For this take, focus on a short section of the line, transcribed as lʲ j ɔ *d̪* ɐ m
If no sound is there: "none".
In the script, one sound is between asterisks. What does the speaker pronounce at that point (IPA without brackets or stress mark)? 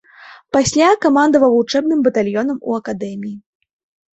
n̪